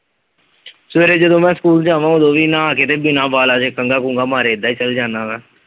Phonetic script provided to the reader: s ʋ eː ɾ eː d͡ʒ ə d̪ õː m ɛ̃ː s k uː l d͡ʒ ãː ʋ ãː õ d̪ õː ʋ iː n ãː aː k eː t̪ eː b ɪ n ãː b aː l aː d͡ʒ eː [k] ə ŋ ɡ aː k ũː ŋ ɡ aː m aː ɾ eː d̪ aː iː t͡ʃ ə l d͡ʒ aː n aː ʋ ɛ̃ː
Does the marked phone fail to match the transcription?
no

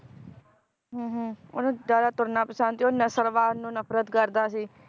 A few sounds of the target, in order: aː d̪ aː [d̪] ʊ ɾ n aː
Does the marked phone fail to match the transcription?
yes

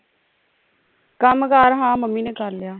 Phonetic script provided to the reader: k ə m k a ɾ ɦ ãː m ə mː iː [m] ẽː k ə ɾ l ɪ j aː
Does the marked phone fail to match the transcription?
yes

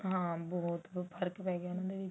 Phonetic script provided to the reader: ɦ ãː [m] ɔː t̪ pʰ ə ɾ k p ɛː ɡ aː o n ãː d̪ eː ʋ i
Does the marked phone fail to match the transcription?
yes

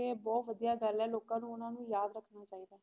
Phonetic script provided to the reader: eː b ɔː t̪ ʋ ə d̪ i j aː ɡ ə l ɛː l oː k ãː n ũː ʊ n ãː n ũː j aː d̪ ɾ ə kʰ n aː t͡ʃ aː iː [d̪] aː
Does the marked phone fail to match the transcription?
no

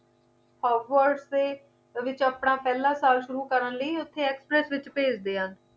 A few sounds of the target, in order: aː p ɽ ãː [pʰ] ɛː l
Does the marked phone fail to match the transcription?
yes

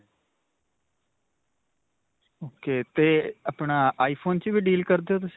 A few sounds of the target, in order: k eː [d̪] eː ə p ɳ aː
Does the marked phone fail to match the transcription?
yes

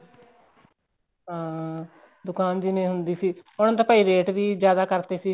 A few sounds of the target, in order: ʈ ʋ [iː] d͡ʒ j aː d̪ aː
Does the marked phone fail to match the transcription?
no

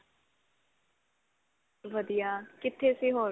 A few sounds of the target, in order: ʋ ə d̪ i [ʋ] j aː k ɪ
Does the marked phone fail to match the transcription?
yes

